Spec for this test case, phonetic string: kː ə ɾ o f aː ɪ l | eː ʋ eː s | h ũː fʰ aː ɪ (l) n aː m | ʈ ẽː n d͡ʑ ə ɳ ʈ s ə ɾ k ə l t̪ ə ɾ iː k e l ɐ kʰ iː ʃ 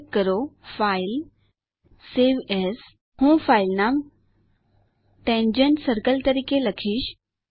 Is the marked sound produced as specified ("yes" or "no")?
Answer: yes